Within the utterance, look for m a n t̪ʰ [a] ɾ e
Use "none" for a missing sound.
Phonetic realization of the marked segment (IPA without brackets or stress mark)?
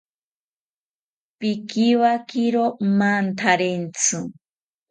a